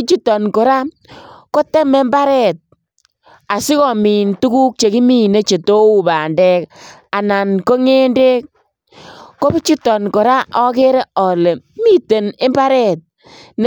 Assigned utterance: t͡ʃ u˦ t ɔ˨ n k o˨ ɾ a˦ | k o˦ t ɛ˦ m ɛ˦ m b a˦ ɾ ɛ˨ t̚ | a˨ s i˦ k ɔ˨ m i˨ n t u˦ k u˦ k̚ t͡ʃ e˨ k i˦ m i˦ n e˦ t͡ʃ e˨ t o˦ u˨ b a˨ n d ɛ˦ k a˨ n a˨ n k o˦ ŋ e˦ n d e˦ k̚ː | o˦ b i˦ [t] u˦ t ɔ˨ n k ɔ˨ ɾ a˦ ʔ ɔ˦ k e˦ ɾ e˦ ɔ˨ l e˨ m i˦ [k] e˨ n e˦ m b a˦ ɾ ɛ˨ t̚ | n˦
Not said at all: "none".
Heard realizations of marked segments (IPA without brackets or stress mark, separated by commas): t͡ʃ, t